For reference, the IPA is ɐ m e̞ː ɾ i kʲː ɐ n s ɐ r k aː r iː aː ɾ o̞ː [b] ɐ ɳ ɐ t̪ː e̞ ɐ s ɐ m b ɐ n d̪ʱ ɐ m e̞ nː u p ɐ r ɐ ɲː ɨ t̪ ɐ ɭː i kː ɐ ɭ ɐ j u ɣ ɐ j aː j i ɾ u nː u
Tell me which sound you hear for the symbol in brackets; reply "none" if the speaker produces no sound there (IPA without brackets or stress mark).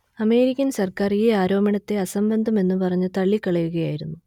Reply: m